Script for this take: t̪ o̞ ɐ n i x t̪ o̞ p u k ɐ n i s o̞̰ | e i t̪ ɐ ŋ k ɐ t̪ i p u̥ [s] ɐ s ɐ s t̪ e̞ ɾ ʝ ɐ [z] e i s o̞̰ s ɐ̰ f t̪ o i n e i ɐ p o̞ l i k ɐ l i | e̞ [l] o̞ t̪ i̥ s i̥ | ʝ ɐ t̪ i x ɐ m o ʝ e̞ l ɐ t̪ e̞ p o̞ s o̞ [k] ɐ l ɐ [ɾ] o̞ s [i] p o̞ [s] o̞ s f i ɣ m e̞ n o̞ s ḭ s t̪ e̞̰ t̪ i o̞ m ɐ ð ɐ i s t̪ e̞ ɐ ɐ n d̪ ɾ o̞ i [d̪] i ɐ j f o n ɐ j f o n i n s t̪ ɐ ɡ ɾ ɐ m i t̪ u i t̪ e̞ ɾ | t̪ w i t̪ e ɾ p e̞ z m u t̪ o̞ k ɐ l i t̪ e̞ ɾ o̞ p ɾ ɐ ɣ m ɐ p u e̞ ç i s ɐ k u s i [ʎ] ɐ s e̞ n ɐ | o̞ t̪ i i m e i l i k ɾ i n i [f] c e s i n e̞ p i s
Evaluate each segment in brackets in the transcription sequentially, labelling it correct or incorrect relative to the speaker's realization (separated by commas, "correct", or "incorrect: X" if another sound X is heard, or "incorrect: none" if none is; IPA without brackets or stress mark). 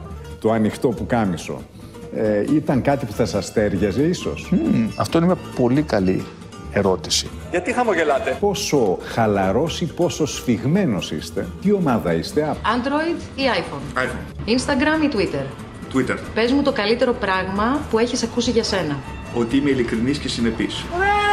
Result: incorrect: θ, correct, incorrect: ɾ, incorrect: x, correct, correct, correct, correct, incorrect: ʝ, incorrect: s